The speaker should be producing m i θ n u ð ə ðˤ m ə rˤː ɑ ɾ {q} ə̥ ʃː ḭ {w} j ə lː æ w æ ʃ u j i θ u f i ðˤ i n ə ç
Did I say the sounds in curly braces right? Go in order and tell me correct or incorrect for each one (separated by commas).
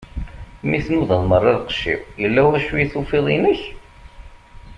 correct, correct